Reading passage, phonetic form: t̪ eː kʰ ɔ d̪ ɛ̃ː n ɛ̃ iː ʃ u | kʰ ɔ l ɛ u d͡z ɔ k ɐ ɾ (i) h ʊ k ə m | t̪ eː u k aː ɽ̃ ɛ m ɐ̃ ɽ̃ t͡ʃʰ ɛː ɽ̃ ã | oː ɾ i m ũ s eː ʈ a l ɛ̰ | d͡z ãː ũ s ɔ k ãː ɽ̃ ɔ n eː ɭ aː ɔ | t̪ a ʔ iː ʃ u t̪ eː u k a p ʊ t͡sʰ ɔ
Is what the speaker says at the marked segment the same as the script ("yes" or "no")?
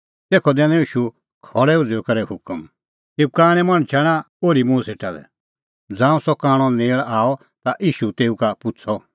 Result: no